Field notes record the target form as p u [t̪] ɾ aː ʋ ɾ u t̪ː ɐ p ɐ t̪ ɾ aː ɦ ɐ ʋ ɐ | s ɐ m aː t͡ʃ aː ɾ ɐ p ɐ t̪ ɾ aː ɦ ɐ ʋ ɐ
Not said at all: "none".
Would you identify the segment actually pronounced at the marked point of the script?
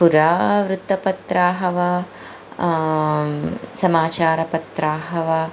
none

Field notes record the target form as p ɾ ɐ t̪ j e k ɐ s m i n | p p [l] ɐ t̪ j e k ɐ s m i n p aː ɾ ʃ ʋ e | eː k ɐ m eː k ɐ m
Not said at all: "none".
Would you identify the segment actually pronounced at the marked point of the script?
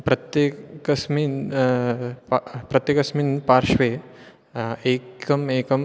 ɾ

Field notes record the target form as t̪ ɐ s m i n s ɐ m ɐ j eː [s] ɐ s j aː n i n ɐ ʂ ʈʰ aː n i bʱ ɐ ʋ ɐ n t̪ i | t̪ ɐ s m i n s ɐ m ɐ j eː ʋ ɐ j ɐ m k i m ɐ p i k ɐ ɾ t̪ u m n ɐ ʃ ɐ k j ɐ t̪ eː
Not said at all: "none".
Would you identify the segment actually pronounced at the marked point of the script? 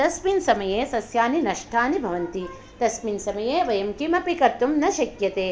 s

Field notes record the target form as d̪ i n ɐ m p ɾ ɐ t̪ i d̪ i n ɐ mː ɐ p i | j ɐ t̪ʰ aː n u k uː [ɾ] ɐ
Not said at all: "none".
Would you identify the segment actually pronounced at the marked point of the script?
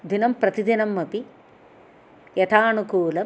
l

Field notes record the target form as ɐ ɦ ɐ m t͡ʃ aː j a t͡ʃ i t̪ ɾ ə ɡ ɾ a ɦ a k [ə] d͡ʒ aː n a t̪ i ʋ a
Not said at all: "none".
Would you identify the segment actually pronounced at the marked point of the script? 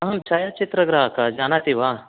a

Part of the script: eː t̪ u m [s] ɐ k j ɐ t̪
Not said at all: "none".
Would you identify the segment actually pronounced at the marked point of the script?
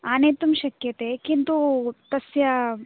ʃ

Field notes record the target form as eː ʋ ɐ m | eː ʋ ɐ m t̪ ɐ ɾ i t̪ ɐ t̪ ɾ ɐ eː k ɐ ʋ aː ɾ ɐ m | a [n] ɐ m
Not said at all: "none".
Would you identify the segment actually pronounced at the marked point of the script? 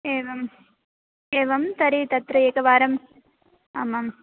m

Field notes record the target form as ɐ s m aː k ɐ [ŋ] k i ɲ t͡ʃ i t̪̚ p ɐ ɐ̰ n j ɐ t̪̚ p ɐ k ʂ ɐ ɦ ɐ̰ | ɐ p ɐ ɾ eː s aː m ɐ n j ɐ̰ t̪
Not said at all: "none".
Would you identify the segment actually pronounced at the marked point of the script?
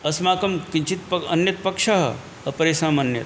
m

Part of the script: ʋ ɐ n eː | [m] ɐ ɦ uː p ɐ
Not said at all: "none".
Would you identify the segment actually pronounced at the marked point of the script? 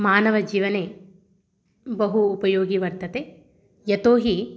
b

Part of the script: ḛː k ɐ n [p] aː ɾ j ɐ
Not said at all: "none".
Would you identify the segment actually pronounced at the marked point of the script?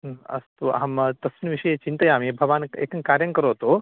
k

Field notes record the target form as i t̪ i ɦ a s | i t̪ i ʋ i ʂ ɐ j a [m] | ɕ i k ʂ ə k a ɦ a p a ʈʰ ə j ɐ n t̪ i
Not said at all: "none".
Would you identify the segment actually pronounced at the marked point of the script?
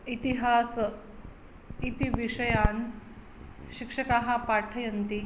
n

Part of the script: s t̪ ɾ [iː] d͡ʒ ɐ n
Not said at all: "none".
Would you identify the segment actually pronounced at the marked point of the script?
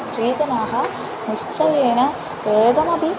iː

